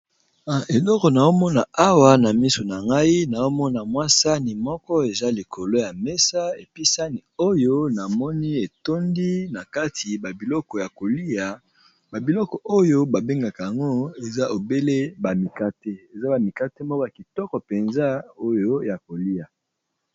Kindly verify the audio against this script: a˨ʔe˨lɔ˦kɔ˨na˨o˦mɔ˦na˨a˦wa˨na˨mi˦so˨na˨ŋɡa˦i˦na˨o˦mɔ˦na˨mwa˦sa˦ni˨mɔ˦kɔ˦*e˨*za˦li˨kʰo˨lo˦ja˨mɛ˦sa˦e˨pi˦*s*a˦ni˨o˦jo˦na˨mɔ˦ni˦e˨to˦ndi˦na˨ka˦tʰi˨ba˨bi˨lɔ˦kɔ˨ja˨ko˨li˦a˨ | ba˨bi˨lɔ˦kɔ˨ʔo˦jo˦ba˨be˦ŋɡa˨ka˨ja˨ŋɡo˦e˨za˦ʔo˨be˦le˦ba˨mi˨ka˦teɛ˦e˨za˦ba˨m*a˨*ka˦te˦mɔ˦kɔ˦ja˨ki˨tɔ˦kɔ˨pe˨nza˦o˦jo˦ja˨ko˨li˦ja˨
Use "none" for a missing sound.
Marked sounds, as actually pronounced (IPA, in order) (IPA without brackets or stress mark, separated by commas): e˨, s, i˨